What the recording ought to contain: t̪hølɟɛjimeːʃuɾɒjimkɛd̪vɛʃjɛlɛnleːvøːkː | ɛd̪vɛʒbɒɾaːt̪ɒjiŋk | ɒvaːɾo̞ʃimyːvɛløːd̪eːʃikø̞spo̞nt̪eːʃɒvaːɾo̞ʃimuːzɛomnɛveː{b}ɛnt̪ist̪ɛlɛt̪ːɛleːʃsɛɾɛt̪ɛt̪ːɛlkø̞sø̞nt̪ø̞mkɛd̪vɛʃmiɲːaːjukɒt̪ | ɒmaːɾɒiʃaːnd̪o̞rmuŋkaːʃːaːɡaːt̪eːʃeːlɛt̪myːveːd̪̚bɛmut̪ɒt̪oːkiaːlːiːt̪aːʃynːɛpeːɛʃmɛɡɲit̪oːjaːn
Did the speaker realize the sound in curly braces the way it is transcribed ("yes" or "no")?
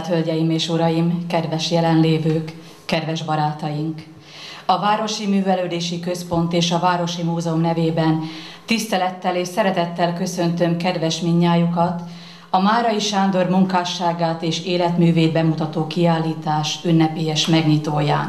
yes